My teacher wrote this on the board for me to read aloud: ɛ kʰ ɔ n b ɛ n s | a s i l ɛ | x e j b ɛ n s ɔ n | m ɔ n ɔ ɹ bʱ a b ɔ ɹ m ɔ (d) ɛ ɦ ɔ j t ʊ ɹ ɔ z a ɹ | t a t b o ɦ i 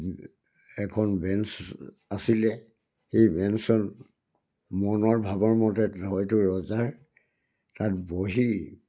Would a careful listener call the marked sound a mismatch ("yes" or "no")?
yes